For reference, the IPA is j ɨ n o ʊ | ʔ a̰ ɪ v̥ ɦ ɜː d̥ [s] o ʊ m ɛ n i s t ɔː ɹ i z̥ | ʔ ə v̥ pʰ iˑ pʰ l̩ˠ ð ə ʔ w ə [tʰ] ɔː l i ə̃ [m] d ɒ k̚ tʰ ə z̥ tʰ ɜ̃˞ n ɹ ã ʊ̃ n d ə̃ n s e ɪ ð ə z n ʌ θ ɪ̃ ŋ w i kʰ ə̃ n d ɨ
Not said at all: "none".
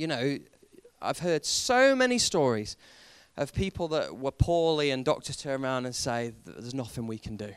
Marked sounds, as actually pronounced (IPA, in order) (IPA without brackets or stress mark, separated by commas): s, pʰ, n